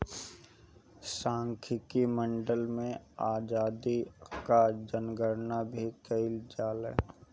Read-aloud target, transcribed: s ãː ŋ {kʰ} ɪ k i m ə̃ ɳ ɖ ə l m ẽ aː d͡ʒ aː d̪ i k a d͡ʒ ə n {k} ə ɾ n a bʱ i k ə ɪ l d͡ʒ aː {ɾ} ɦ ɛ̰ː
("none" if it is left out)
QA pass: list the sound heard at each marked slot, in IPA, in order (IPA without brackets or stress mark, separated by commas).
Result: kʰ, ɡ, l